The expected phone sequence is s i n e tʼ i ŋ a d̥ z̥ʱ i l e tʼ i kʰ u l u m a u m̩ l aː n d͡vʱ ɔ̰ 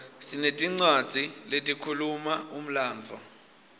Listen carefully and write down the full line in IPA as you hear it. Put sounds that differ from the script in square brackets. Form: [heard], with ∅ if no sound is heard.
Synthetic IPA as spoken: s i n e tʼ i [ŋ͡ǀ] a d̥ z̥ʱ i l e tʼ i kʰ u l u m a u m̩ l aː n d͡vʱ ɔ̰